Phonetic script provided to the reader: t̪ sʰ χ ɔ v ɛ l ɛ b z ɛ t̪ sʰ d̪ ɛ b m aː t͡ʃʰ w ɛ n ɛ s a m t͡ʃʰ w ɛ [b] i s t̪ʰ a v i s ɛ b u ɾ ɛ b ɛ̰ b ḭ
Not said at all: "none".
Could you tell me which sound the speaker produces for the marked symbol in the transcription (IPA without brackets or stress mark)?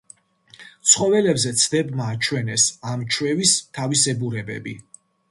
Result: v